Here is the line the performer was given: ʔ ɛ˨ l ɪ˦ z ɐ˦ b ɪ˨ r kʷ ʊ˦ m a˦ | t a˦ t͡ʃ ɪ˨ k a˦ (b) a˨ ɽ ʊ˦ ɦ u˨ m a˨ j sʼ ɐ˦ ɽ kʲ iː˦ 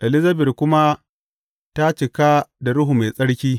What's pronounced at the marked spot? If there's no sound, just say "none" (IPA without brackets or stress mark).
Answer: d